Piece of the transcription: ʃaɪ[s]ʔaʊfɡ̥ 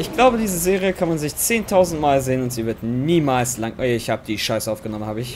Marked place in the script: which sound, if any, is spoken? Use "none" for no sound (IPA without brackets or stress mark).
s